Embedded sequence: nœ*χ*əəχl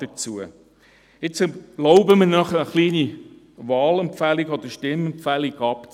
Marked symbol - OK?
yes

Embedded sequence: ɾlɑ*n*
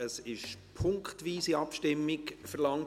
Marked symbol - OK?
no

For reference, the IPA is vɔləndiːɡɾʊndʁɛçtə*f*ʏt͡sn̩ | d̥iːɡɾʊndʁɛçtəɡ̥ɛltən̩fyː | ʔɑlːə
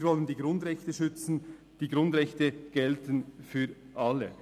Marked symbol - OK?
no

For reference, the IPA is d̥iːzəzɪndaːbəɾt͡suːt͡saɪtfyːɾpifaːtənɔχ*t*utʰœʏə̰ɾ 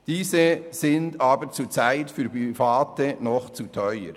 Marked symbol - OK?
no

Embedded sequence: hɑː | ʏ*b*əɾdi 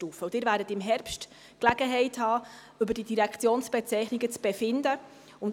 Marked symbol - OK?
yes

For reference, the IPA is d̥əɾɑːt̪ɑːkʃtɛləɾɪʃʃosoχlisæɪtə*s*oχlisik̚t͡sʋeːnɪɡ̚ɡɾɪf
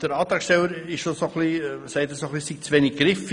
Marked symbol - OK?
yes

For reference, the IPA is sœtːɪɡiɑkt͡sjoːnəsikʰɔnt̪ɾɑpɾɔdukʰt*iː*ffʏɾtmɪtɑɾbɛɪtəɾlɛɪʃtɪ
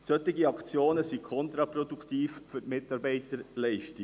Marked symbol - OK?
yes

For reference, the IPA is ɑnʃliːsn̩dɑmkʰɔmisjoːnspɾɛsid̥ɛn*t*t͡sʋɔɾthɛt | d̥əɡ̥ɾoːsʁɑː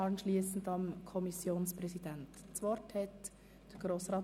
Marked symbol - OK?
yes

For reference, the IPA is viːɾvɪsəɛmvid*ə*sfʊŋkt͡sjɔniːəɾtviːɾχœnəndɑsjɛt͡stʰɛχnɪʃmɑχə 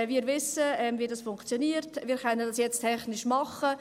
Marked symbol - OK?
no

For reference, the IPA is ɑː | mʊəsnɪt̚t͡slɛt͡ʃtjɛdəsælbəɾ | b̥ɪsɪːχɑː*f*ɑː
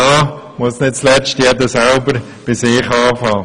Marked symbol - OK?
yes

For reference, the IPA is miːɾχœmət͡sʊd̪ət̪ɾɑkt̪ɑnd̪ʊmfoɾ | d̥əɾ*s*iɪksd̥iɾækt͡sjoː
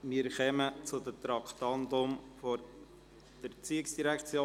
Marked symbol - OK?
no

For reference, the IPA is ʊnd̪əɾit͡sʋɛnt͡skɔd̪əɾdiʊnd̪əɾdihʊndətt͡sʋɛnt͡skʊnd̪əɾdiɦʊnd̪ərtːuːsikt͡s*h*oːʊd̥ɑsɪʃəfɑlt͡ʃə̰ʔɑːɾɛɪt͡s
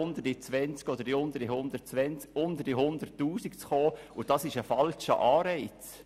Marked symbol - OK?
no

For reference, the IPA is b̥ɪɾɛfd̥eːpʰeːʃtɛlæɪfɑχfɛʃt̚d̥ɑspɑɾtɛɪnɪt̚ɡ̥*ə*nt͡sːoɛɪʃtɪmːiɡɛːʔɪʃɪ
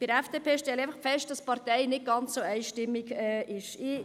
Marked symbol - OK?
no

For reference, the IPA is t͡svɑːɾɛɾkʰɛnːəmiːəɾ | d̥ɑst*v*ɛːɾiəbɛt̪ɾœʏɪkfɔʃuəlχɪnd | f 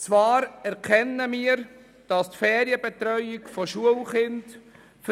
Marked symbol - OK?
no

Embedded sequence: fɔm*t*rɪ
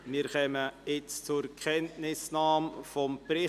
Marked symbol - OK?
no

